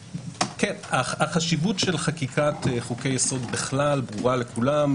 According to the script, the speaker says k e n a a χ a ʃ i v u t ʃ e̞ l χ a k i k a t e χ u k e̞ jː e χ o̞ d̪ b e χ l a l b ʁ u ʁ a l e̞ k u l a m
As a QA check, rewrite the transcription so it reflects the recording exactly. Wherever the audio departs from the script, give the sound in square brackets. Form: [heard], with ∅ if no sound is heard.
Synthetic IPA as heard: k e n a a χ a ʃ i v u t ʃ e̞ l χ a k i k a t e χ u k e̞ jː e [s] o̞ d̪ b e χ l a l b ʁ u ʁ a l e̞ k u l a m